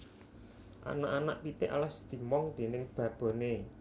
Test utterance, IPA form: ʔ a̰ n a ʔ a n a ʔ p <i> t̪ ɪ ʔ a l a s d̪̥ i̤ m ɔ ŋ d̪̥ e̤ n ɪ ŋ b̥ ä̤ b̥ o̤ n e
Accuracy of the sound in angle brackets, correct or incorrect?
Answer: correct